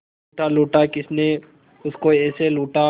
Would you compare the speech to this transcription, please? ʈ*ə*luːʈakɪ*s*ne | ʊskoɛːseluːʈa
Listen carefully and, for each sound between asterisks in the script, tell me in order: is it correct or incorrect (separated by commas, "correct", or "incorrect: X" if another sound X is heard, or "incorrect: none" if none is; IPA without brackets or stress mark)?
incorrect: a, correct